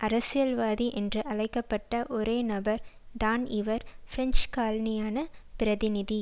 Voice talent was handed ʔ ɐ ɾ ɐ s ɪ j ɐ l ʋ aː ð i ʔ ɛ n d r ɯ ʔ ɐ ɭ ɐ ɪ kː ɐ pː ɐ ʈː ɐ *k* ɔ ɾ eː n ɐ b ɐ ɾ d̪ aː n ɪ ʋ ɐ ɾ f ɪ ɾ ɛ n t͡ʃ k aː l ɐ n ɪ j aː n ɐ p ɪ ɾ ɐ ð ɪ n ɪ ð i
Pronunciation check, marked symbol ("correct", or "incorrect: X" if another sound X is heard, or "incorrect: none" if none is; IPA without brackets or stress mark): incorrect: ʔ